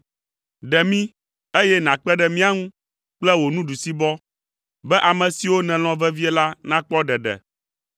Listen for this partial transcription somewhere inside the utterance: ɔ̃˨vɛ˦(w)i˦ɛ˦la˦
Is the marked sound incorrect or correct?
incorrect: v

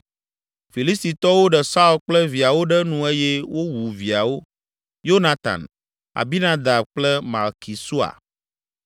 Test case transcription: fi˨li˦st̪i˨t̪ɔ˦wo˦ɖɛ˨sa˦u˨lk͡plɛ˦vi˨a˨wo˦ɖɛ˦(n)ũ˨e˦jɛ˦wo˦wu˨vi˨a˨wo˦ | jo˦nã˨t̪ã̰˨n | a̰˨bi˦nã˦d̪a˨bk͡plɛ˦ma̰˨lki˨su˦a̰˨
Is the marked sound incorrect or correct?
correct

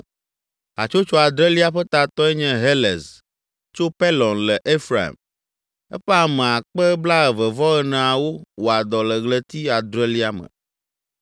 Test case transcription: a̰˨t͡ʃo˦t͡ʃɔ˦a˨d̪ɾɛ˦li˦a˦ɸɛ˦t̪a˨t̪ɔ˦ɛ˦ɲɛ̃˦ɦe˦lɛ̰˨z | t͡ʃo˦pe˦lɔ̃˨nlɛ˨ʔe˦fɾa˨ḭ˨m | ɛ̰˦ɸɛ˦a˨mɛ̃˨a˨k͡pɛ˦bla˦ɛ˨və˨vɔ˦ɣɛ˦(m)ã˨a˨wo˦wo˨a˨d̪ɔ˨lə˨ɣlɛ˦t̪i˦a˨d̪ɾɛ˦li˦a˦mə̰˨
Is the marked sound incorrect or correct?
incorrect: n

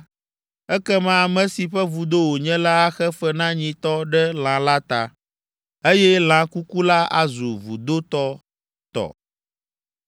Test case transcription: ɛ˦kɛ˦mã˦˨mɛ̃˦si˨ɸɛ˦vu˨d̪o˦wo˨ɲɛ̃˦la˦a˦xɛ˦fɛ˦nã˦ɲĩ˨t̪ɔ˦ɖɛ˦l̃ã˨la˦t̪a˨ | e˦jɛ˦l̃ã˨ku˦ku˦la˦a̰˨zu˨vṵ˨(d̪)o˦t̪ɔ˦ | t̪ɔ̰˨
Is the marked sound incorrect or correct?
correct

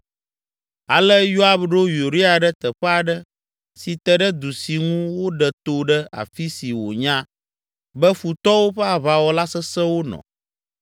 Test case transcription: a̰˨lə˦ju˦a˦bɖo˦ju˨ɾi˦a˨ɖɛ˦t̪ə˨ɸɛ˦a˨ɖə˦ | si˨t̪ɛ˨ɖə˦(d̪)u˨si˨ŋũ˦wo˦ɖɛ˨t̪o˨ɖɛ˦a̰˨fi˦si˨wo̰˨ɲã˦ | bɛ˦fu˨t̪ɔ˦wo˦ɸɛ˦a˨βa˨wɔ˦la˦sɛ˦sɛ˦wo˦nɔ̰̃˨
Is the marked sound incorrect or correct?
correct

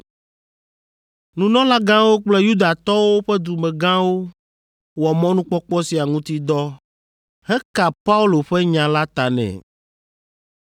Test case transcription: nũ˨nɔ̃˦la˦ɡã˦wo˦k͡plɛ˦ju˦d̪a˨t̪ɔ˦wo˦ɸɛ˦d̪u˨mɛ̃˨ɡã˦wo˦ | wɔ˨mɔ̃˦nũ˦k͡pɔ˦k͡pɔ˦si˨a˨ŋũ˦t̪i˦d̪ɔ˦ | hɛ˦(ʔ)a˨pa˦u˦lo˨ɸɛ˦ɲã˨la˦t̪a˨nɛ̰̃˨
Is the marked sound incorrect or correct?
incorrect: k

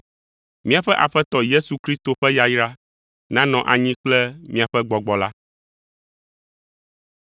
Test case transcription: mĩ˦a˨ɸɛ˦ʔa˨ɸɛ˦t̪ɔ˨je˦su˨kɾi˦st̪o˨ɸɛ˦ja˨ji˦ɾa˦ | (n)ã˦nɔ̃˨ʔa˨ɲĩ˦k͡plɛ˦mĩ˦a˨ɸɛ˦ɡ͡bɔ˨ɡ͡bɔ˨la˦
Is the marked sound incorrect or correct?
correct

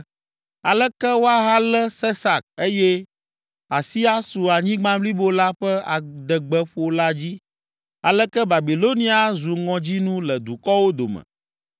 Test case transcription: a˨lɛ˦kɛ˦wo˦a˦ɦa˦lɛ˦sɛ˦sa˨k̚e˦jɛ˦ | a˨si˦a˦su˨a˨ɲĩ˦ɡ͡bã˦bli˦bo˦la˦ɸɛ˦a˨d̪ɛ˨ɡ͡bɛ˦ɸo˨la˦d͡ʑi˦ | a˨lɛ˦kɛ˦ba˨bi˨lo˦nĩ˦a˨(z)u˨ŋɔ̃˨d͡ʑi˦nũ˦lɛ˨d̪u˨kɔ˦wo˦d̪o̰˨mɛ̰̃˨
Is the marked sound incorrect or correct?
correct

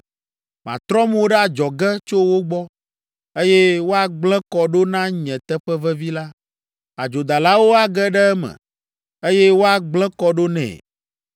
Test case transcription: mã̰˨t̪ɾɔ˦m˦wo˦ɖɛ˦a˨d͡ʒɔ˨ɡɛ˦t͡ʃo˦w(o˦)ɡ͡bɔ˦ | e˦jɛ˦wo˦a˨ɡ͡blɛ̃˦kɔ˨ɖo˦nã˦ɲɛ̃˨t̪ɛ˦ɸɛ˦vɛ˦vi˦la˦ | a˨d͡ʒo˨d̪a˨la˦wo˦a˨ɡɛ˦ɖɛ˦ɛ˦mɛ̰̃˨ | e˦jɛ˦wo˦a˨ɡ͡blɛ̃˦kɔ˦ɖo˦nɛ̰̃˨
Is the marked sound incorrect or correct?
correct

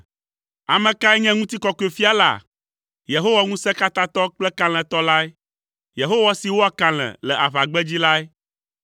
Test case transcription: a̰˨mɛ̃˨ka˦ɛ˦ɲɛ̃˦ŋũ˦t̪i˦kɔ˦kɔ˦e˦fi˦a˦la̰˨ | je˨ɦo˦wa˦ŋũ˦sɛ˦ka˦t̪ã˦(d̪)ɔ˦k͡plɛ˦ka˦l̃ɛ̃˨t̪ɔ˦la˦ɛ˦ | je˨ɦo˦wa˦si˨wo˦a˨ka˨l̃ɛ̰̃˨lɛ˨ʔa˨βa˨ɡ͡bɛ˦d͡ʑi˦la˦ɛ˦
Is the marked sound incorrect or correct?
incorrect: t̪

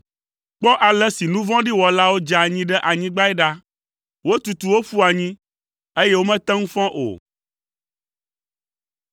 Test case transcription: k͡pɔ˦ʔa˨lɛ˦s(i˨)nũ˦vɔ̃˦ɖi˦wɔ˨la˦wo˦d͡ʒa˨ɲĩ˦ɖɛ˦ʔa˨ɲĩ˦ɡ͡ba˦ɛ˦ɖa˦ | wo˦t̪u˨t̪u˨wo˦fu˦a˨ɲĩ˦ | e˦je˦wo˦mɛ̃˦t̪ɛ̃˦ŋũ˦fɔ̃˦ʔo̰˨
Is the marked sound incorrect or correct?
correct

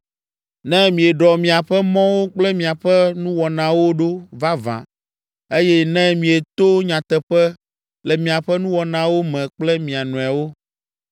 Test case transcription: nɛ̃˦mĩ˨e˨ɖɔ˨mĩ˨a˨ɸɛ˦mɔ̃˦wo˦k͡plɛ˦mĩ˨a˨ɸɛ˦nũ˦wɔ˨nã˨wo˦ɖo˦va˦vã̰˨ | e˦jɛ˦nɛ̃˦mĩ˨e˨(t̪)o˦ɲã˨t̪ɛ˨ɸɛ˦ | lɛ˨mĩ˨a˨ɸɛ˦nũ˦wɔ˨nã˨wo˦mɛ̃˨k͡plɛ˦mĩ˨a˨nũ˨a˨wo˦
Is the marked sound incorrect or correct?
correct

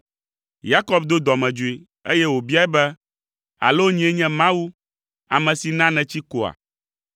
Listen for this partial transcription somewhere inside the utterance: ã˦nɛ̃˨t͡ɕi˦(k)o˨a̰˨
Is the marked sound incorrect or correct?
correct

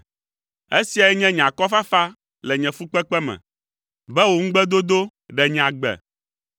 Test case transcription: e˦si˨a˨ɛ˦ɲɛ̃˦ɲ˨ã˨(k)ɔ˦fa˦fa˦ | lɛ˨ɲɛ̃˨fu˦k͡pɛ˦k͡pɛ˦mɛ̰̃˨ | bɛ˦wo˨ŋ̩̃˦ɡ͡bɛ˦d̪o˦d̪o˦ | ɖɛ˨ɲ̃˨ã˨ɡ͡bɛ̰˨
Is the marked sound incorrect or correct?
correct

